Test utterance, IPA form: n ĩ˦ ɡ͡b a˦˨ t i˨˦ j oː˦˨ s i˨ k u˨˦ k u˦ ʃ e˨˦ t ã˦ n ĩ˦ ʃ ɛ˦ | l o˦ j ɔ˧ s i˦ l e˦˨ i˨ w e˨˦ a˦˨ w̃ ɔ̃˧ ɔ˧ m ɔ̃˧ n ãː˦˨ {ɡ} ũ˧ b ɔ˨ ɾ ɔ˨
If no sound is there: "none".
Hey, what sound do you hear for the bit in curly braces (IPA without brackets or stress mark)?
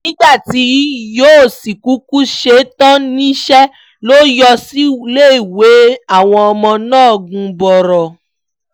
ɡ